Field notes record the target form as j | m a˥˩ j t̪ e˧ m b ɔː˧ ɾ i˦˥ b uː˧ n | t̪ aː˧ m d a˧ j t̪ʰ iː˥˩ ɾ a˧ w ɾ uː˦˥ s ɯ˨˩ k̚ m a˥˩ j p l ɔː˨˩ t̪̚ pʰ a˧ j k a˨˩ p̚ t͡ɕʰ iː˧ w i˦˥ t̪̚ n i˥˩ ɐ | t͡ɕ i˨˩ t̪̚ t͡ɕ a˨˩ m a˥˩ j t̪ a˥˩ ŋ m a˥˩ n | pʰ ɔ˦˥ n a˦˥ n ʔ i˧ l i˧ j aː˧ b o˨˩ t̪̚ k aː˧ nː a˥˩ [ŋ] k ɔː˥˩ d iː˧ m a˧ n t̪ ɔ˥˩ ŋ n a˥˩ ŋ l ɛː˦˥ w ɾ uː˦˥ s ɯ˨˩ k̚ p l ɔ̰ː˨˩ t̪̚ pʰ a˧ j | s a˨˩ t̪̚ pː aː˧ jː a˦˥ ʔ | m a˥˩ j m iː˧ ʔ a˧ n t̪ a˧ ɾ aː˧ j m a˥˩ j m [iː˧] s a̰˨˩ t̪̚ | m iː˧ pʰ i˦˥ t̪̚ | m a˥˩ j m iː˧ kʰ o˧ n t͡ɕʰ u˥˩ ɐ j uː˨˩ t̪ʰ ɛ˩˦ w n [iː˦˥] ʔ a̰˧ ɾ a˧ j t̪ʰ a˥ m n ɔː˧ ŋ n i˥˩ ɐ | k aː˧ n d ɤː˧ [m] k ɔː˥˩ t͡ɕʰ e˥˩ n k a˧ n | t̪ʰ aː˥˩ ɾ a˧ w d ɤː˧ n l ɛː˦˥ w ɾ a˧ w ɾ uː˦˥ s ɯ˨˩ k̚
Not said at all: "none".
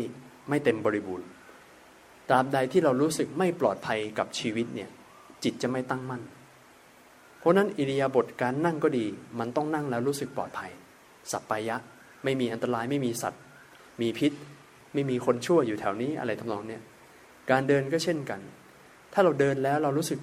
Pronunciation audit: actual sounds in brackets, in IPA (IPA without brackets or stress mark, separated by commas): ŋ, iː˧, iː˦˥, n